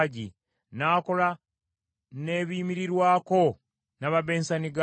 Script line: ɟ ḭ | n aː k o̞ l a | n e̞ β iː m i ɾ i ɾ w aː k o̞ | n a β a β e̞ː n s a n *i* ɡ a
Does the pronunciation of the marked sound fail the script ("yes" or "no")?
no